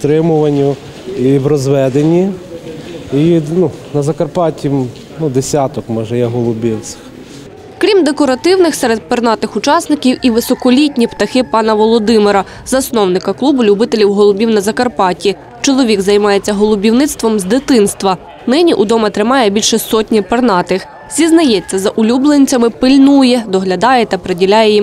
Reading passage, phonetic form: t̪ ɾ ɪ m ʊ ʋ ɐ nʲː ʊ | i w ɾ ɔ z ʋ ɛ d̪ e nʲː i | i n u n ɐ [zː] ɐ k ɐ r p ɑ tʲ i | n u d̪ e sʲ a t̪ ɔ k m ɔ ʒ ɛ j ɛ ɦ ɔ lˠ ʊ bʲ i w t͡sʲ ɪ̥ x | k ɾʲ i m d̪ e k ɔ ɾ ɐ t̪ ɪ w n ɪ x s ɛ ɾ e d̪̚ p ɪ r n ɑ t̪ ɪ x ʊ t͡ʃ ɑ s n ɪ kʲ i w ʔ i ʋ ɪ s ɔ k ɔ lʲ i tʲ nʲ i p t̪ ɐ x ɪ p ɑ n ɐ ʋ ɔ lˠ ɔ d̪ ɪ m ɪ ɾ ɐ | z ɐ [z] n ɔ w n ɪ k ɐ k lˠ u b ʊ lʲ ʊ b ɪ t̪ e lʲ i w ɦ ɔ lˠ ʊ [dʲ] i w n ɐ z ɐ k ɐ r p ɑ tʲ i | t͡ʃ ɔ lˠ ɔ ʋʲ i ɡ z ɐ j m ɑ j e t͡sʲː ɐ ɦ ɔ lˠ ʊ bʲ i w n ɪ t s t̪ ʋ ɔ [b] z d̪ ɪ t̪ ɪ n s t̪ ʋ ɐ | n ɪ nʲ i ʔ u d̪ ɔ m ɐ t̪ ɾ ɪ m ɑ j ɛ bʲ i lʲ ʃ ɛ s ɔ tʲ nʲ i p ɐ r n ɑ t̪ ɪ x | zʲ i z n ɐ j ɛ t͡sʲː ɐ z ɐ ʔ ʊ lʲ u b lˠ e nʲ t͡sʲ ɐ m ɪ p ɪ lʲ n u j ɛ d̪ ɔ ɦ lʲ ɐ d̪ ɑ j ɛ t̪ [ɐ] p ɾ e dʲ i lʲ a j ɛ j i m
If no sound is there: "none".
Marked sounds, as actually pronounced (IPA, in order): z, s, bʲ, m, ɐ

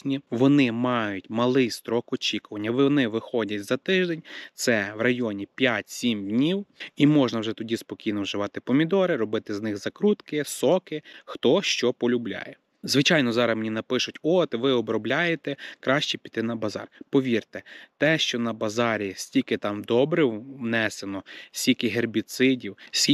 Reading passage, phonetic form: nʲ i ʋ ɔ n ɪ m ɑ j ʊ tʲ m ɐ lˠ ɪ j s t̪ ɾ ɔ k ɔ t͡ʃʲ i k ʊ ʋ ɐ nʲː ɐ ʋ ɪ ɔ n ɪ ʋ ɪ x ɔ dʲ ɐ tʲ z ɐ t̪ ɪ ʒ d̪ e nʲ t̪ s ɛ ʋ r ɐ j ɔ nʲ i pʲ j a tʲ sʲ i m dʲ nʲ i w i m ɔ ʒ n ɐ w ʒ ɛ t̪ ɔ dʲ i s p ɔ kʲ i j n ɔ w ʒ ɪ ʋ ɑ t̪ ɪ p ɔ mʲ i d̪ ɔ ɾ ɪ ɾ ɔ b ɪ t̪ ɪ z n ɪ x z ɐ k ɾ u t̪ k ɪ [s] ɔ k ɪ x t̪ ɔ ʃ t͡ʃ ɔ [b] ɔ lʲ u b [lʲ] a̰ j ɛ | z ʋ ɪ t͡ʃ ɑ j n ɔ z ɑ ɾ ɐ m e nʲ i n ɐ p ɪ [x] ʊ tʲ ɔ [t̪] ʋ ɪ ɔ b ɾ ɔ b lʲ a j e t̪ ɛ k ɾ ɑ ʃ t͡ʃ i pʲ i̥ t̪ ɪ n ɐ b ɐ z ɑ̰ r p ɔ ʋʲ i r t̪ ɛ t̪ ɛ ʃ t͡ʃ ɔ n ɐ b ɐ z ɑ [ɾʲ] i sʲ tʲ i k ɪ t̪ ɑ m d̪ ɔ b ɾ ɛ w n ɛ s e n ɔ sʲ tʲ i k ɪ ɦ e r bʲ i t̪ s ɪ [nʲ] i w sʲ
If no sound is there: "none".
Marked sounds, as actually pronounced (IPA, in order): s, p, lʲ, ʃ, t̪, ɾʲ, dʲ

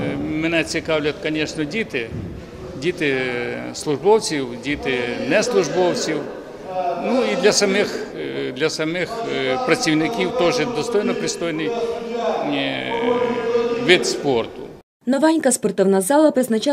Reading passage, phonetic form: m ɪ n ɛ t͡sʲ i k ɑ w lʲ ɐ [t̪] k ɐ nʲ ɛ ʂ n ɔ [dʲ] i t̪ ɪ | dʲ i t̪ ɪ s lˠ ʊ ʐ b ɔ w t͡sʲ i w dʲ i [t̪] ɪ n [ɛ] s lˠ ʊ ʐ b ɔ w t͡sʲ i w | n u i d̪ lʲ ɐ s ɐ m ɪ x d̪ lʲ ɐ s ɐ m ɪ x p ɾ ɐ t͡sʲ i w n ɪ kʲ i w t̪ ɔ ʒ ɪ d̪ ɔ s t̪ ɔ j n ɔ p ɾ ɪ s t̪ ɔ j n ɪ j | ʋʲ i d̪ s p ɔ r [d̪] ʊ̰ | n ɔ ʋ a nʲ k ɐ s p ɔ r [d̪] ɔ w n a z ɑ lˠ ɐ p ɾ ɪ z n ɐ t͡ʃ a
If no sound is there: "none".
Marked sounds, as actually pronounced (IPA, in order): t̪, dʲ, t̪, ɛ, t̪, t̪

